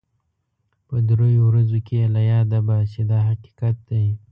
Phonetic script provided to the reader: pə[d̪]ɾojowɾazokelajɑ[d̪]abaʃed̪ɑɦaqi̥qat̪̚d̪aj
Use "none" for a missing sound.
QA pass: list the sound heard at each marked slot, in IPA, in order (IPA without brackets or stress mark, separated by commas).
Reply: d̪, d̪